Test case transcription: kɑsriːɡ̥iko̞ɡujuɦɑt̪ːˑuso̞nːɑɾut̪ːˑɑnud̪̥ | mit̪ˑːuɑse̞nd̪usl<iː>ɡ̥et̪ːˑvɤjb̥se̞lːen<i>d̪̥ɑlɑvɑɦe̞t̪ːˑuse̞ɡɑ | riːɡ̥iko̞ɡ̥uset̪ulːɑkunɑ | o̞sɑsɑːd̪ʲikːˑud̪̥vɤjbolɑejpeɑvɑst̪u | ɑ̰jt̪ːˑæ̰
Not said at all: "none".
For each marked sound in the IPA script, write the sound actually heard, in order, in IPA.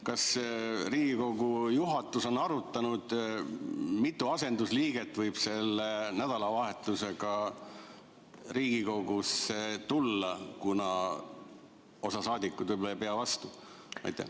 iː, æ

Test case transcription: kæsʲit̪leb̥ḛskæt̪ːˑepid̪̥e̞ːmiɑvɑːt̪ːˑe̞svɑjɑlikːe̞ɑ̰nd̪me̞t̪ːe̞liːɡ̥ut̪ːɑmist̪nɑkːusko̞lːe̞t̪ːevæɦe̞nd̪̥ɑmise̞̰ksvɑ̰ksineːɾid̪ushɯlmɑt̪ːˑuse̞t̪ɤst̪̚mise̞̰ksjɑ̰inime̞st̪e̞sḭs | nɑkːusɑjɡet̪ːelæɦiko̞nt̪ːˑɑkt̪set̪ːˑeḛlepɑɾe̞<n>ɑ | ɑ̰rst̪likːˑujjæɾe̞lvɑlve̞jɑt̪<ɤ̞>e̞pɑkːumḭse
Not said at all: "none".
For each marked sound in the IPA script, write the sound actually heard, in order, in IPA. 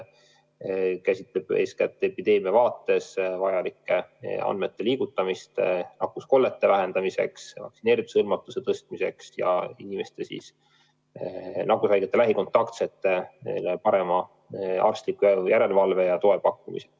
m, o̞

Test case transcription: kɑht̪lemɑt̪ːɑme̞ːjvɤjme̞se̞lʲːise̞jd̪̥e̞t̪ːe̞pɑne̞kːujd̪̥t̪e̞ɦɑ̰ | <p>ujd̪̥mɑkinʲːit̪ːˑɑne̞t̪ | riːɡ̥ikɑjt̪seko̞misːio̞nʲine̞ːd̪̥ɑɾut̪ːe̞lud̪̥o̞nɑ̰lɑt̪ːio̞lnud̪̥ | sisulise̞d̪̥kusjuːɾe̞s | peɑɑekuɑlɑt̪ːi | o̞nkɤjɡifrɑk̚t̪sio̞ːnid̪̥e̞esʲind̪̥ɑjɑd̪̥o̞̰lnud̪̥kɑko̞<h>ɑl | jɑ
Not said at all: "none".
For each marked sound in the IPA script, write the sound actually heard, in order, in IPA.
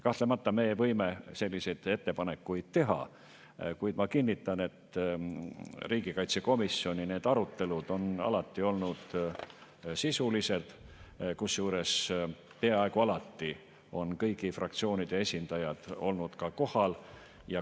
k, h

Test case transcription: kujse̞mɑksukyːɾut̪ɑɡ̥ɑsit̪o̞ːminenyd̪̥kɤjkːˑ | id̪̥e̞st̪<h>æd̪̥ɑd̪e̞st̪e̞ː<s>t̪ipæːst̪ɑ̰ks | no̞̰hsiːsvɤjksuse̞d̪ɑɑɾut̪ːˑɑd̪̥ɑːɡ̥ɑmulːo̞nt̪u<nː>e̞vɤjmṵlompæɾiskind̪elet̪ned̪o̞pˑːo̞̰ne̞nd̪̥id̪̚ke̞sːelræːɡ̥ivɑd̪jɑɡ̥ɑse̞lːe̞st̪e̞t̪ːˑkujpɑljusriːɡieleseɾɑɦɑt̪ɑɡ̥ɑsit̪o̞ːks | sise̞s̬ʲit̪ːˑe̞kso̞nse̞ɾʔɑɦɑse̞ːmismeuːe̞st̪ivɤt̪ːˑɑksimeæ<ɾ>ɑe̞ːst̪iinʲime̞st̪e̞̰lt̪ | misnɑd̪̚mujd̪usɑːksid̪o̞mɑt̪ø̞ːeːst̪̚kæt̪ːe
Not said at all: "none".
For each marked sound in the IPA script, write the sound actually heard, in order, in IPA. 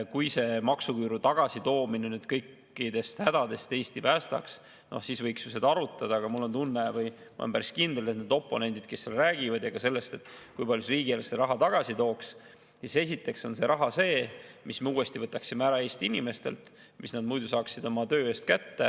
h, s, nː, ɾ

